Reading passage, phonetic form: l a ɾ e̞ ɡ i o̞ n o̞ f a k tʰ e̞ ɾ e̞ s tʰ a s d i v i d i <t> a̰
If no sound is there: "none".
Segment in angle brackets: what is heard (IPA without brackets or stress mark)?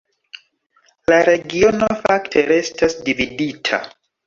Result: tʰ